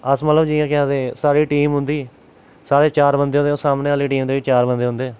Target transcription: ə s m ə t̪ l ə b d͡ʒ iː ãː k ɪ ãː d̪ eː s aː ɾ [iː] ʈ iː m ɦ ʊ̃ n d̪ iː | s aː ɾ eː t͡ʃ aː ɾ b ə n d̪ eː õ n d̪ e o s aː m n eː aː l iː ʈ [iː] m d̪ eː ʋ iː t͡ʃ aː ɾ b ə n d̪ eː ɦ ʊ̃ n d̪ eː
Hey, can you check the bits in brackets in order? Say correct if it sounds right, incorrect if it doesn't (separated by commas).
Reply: correct, correct